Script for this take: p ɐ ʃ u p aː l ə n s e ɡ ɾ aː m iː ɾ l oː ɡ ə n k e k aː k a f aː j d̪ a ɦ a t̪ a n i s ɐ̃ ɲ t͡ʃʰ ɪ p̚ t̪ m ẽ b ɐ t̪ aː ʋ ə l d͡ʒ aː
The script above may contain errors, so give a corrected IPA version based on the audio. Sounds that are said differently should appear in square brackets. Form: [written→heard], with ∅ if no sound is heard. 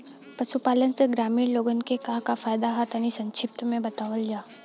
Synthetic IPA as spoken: p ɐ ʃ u p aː l ə n s e ɡ ɾ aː m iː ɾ l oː ɡ ə n k e k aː k a f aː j d̪ a ɦ a t̪ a n i s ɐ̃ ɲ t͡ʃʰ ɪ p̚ t̪ m ẽ b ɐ t̪ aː ʋ ə l d͡ʒ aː

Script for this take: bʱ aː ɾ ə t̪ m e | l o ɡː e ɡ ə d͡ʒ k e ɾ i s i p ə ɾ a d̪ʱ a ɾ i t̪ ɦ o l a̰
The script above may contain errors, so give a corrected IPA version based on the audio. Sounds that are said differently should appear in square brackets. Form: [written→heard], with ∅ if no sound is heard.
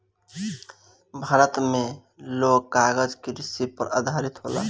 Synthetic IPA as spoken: bʱ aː ɾ ə t̪ m e | l o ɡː [e→a] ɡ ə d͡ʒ k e ɾ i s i p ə ɾ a d̪ʱ a ɾ i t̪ ɦ o l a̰

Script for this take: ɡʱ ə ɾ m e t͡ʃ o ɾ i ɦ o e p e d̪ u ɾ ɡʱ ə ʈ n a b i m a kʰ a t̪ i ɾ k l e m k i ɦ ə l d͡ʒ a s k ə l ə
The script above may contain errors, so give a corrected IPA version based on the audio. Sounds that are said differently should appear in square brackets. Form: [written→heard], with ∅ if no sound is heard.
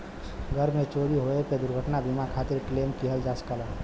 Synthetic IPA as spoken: ɡʱ ə ɾ m e t͡ʃ o ɾ i ɦ o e p e d̪ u ɾ ɡʱ ə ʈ n a b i m a kʰ a t̪ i ɾ k l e m k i ɦ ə l d͡ʒ a s k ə l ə

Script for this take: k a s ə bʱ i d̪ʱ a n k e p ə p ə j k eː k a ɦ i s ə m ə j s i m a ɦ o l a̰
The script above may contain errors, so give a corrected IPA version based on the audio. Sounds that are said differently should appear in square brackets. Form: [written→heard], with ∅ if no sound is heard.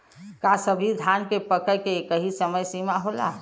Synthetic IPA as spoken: k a s ə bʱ i d̪ʱ a n k e p ə [p→k] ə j k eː k [a→ə] ɦ i s ə m ə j s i m a ɦ o l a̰

